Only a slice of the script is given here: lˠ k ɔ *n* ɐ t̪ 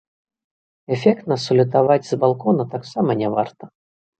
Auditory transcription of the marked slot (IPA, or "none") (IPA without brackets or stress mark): n